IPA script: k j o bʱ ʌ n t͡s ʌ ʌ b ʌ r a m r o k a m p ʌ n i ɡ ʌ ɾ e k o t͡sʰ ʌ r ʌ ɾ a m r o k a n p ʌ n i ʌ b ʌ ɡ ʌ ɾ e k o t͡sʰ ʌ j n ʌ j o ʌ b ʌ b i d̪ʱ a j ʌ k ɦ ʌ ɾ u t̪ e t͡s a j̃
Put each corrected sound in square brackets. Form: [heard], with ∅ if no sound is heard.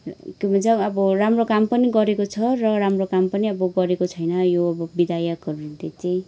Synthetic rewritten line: k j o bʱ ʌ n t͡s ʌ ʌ b ʌ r a m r o k a m p ʌ n i ɡ ʌ ɾ e k o t͡sʰ ʌ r ʌ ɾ a m r o k a [m] p ʌ n i ʌ b ʌ ɡ ʌ ɾ e k o t͡sʰ ʌ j n ʌ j o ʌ b ʌ b i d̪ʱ a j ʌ k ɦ ʌ ɾ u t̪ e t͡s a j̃